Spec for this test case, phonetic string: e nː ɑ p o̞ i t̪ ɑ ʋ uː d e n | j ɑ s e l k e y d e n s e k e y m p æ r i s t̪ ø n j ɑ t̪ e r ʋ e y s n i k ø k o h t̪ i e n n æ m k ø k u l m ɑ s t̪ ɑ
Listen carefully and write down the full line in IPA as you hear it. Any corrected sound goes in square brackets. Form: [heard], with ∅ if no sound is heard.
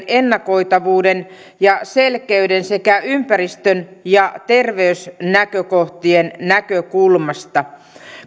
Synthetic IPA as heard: e nː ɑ [k] o̞ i t̪ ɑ ʋ uː d e n | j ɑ s e l k e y d e n s e k [æ] y m p æ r i s t̪ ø n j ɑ t̪ e r ʋ e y s n [æ] k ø k o h t̪ i e n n æ [∅] k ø k u l m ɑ s t̪ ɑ